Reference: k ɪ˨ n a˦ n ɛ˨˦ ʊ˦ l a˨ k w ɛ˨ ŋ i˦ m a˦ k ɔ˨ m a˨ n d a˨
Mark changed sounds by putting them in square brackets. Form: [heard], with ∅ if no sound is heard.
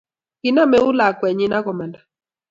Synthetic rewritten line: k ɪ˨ n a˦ [m] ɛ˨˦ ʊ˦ l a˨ k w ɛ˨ [ɲ] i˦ [n] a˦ k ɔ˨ m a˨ n d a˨